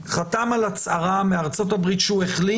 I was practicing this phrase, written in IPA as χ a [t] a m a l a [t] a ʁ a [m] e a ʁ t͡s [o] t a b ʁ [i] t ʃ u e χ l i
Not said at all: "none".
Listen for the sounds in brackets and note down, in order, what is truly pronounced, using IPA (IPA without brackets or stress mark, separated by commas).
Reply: t, t͡s, m, o, i